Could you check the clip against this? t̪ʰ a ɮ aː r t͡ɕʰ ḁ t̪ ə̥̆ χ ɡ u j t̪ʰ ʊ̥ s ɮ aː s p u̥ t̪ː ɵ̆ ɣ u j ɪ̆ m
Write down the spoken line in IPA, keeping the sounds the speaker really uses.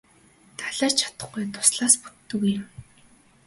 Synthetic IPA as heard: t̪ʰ a ɮ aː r t͡ɕʰ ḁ t̪ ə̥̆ χ ɡ u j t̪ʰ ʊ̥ s ɮ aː s p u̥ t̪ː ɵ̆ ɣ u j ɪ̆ m